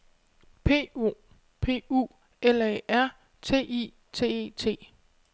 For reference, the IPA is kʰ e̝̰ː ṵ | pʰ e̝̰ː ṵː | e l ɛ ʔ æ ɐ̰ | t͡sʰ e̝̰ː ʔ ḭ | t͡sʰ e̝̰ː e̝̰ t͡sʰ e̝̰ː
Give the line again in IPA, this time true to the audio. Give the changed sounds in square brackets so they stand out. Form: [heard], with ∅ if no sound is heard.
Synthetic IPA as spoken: [pʰ] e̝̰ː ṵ | pʰ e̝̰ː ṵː | e l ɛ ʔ æ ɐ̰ | t͡sʰ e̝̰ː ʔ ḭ | t͡sʰ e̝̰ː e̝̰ t͡sʰ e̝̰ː